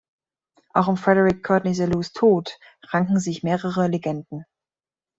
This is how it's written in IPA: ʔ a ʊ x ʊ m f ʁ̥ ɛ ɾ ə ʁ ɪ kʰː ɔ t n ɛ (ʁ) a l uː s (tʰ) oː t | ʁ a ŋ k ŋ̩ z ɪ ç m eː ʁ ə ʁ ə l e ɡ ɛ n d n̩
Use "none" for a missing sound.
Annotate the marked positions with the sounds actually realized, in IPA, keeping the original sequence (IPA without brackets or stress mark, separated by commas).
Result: z, tʰ